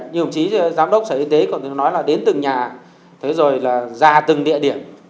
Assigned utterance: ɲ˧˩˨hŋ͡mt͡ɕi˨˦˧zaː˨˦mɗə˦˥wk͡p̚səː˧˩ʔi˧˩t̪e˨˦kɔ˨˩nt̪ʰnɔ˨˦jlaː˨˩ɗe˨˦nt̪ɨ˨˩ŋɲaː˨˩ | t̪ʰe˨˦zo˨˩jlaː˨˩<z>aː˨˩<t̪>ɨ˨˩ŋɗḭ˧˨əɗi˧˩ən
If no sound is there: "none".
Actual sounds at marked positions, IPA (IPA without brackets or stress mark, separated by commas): z, t̪